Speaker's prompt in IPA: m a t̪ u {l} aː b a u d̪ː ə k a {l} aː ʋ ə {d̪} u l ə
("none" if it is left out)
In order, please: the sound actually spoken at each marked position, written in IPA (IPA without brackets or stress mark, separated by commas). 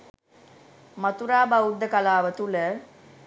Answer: ɾ, l, t̪